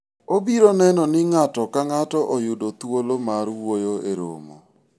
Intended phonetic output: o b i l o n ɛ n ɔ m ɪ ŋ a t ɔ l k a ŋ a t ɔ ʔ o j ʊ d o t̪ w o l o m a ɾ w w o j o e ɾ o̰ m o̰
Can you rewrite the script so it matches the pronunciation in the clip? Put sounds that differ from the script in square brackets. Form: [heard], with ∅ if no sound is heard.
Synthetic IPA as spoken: o b i [ɾ] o n ɛ n ɔ [n] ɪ ŋ a t ɔ [∅] k a ŋ a t ɔ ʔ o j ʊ d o t̪ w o l o m a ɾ w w o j o e ɾ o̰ m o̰